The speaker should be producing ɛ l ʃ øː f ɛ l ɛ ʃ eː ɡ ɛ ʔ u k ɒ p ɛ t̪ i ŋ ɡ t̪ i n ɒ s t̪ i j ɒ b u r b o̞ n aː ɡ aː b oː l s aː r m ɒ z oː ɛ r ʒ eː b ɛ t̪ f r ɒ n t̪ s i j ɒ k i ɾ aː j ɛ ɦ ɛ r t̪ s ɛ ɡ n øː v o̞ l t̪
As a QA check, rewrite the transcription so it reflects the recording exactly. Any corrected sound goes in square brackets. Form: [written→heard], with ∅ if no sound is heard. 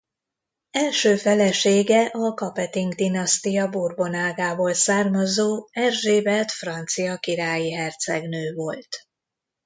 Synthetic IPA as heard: ɛ l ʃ øː f ɛ l ɛ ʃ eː ɡ ɛ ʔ [u→ɒ] k ɒ p ɛ t̪ i ŋ ɡ [t̪→d̪] i n ɒ s t̪ i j ɒ b u r b o̞ n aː ɡ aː b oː l s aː r m ɒ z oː ɛ r ʒ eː b ɛ t̪ f r ɒ n t̪ s i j ɒ k i ɾ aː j [ɛ→i] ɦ ɛ r t̪ s ɛ ɡ n øː v o̞ l t̪